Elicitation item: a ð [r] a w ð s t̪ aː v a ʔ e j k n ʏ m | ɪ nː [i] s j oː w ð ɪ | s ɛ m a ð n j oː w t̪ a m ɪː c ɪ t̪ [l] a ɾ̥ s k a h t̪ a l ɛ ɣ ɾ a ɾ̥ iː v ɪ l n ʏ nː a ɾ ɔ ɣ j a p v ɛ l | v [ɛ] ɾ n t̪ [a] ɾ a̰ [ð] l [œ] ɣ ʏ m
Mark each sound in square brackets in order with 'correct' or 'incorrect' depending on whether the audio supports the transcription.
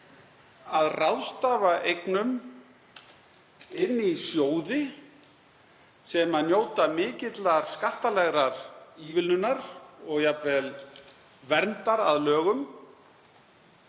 correct, correct, correct, correct, correct, correct, incorrect: œː

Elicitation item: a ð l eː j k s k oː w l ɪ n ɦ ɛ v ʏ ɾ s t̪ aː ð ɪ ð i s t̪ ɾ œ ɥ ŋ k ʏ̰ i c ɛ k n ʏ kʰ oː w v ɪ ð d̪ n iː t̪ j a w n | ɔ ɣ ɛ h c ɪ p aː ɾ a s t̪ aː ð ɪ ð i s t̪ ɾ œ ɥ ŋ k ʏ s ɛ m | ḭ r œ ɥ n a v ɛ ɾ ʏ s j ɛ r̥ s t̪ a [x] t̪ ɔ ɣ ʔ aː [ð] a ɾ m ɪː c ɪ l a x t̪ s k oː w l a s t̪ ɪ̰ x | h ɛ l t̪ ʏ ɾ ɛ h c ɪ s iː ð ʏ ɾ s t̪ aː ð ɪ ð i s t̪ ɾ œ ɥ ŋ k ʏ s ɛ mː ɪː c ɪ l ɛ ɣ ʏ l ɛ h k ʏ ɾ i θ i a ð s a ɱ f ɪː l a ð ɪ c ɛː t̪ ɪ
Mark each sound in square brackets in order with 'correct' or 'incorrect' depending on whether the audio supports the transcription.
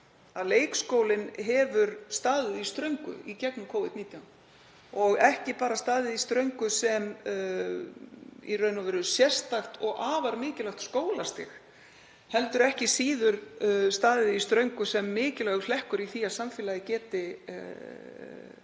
correct, incorrect: v

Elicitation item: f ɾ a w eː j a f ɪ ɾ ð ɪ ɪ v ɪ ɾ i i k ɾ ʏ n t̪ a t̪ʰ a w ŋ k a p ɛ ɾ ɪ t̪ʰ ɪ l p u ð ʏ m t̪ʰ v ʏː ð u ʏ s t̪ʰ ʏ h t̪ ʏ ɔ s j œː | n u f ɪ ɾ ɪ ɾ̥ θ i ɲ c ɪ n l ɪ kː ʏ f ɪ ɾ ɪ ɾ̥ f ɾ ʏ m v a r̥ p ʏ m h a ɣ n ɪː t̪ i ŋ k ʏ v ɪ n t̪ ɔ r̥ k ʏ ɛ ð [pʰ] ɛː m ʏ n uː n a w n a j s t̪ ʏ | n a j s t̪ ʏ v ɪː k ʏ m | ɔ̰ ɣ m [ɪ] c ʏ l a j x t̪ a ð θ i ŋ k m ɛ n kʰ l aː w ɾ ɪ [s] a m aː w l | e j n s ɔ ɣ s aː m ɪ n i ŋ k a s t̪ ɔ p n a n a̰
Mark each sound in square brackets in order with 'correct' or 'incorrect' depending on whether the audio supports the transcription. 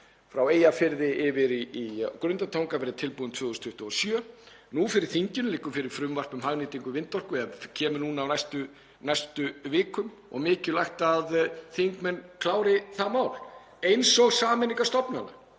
incorrect: cʰ, incorrect: ɪː, incorrect: θ

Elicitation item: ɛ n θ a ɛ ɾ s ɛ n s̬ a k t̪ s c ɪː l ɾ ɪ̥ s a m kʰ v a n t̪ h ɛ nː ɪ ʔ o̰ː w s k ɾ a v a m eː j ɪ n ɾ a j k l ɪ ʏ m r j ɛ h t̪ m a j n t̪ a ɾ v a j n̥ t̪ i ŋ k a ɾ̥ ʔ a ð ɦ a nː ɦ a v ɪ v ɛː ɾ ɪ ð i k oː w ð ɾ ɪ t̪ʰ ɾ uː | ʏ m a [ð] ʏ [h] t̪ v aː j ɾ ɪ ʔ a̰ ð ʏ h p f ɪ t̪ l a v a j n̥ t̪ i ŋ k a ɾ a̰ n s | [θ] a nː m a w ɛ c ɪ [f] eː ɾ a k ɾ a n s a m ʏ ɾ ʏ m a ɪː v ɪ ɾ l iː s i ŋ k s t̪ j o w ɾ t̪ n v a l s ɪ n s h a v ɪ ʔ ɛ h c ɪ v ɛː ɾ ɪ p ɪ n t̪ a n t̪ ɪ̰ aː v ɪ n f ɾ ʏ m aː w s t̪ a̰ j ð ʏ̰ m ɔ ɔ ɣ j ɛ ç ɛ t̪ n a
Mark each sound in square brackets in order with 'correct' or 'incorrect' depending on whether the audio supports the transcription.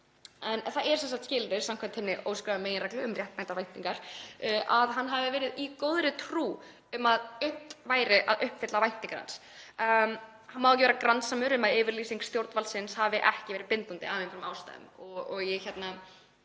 correct, correct, incorrect: h, incorrect: v

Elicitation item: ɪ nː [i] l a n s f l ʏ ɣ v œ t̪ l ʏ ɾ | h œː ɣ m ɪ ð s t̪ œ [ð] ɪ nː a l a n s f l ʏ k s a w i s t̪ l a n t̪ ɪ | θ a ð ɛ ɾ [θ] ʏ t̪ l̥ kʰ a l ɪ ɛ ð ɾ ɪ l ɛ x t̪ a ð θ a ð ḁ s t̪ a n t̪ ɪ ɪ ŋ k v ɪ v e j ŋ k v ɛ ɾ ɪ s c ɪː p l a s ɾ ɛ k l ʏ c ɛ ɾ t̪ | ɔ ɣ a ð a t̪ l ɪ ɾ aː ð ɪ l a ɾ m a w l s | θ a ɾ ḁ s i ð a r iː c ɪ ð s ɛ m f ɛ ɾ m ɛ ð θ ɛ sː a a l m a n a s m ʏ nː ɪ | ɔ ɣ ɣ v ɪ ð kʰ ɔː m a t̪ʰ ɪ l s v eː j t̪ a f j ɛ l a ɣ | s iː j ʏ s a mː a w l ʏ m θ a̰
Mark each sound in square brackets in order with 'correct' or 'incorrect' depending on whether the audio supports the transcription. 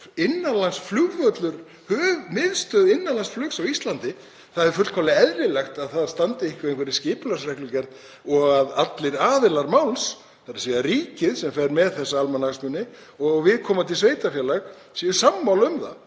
incorrect: a, correct, incorrect: f

